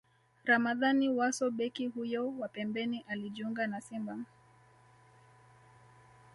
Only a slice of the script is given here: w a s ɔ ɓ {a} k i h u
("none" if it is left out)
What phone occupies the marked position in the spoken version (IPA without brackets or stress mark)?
ɛ